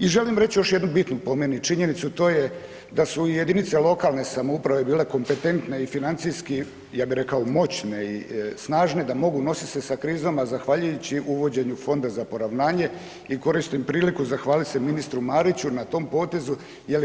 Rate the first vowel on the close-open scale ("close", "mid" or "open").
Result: close